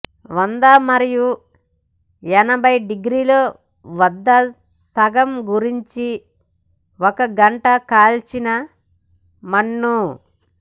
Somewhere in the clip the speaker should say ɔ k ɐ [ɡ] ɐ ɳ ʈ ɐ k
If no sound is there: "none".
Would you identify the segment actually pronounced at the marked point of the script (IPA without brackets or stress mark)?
ɡ